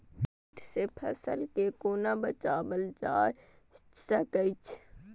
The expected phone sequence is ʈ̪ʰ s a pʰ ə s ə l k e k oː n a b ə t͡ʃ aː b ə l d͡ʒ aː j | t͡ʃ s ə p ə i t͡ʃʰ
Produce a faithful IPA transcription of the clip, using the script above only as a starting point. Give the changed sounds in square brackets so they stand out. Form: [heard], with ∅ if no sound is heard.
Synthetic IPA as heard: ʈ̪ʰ s [e] pʰ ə s ə l k e k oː n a b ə t͡ʃ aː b ə l d͡ʒ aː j | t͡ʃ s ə [k] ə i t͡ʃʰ